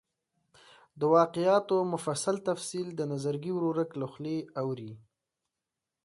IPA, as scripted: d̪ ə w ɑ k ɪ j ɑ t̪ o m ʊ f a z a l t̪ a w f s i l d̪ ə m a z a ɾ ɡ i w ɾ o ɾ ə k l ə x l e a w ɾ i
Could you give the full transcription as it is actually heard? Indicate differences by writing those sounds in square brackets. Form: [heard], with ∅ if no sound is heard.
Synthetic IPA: d̪ ə w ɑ [q] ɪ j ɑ t̪ o m ʊ f a [s] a l t̪ a [∅] f s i l d̪ ə [n] a z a ɾ ɡ i w ɾ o ɾ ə k l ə x l e a w ɾ i